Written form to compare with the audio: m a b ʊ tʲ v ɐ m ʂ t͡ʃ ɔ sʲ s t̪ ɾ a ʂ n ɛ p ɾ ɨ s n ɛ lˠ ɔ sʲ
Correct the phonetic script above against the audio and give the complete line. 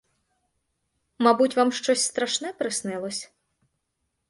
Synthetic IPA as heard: m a b u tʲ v a m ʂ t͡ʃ ɔ sʲ s t̪ ɾ a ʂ n ɛ p ɾ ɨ s n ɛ lˠ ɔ sʲ